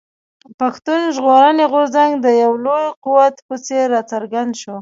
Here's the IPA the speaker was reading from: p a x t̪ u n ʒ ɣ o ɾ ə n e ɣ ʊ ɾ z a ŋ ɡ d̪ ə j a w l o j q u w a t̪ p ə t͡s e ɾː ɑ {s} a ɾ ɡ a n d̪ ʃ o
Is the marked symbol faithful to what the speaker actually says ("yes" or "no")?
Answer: no